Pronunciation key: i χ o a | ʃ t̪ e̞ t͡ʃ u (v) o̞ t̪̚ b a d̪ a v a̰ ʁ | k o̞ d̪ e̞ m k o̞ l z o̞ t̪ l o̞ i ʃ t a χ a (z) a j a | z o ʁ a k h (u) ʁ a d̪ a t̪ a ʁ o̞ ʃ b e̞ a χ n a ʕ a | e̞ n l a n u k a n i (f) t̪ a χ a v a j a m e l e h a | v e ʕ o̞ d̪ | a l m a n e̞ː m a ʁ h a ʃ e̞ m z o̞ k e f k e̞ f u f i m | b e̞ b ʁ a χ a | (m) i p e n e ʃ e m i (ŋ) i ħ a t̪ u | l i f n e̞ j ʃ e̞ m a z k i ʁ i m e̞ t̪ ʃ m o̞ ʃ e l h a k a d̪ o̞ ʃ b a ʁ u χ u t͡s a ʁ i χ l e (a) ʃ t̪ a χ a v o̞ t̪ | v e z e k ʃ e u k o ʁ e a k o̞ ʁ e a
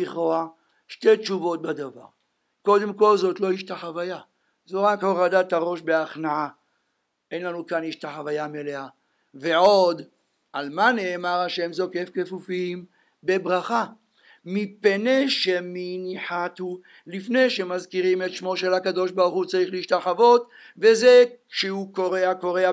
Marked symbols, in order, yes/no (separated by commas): yes, no, no, no, yes, no, no